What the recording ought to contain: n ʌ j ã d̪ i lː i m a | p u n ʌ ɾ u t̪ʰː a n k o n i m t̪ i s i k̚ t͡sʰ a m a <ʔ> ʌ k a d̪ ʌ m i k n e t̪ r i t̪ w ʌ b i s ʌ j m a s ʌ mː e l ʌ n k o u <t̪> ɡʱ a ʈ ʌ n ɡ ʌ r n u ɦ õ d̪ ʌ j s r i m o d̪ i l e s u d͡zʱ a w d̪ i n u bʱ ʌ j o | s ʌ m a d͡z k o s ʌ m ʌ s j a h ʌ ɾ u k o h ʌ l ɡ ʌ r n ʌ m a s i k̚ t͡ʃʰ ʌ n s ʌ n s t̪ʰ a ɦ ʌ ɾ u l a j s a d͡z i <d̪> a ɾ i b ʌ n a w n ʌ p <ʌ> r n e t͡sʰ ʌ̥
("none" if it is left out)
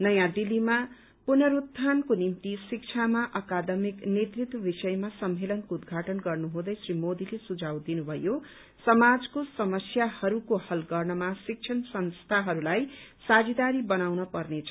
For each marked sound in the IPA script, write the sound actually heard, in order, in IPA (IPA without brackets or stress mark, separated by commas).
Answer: ʔ, d̪, d̪, ʌ